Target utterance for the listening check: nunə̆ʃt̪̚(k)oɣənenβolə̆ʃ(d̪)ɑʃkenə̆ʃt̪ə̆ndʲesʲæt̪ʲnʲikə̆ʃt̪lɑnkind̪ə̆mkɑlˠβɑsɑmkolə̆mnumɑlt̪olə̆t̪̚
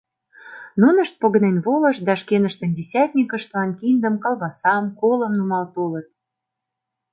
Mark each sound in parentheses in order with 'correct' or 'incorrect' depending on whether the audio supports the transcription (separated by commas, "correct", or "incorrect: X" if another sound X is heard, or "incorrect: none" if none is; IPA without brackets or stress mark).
incorrect: p, correct